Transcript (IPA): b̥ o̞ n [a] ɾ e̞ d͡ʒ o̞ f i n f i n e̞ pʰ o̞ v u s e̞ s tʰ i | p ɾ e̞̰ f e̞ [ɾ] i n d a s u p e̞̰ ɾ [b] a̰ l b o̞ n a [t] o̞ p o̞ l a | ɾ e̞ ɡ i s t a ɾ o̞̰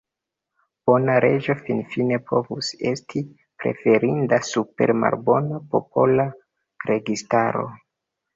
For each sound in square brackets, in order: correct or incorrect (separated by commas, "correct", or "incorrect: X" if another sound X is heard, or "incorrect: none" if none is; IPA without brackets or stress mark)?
correct, correct, incorrect: m, incorrect: p